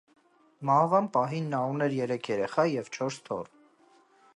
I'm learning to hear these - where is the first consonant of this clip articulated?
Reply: lips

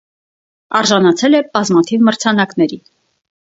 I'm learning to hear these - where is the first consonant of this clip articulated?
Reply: tongue tip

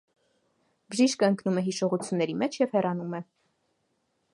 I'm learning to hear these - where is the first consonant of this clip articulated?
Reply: lips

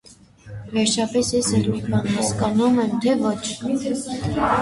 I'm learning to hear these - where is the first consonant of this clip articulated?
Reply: lips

